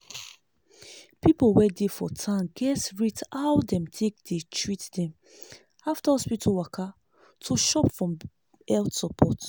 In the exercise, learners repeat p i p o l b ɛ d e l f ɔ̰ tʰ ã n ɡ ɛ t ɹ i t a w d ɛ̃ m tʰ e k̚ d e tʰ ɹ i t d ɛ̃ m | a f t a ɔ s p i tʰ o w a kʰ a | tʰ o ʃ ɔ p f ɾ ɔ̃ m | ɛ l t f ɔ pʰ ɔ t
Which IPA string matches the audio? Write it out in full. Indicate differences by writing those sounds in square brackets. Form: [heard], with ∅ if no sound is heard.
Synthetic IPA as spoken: p i p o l [w] ɛ d e [∅] f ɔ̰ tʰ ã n ɡ ɛ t ɹ i t a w d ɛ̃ m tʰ e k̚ d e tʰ ɹ i t d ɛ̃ m | a f t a ɔ s p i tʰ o w a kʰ a | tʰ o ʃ ɔ p f [ɹ] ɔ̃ m | ɛ l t [s] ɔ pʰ ɔ t